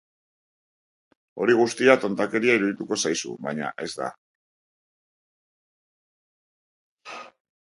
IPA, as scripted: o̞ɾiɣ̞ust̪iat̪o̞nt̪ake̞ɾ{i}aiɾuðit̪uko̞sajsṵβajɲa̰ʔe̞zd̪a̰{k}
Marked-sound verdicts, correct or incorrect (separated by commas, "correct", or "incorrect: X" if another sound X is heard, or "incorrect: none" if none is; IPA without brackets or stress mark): correct, incorrect: none